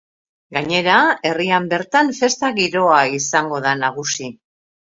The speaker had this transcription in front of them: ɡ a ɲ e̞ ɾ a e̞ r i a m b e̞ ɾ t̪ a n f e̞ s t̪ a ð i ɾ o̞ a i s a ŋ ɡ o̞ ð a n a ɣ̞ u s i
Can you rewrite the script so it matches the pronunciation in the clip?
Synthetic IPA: ɡ a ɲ e̞ ɾ a e̞ r i a m b e̞ ɾ t̪ a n f e̞ s t̪ a ɣ i ɾ o̞ a i s a ŋ ɡ o̞ ð a n a ɣ̞ u s i